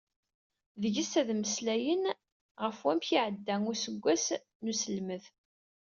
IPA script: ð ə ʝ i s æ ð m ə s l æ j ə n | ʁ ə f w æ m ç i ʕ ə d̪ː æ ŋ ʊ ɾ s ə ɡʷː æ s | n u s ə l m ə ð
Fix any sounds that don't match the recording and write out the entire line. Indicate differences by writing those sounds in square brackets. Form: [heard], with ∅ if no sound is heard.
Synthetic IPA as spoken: ð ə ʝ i s æ ð m ə s l æ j ə n | ʁ ə f w æ m ç i ʕ ə d̪ː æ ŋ ʊ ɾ s ə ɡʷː æ s | n u s ə l m ə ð